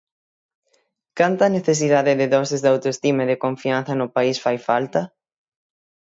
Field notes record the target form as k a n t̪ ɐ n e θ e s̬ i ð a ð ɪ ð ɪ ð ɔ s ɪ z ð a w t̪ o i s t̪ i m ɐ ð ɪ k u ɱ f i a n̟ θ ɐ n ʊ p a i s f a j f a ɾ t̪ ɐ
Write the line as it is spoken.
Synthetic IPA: k a n t̪ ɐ n e θ e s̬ i ð a ð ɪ ð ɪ ð ɔ s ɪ z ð a w t̪ o e s t̪ i m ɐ ð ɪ k o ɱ f i a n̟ θ ɐ n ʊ p a i s f a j f a l t̪ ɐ